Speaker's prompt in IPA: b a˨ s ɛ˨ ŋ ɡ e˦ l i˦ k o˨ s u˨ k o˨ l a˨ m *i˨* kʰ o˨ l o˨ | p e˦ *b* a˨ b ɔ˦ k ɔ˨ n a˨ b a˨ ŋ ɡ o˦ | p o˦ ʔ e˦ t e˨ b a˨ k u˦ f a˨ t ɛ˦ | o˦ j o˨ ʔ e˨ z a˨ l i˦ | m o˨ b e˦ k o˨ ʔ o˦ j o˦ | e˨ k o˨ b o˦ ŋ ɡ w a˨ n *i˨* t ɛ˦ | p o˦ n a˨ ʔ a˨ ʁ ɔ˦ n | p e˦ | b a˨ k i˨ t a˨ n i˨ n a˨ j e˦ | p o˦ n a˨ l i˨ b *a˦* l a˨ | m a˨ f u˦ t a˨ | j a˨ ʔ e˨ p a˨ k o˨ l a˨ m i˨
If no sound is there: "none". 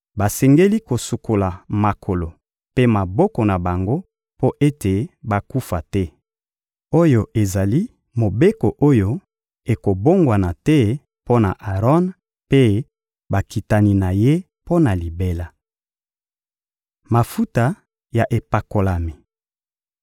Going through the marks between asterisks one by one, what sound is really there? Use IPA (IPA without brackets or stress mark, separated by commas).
a˨, m, a˨, e˦